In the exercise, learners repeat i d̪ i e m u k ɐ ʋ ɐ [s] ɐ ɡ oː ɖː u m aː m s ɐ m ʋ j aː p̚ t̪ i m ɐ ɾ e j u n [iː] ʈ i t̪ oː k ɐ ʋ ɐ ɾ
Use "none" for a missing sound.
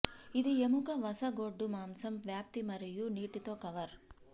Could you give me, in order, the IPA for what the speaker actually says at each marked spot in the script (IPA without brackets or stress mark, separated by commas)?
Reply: s, iː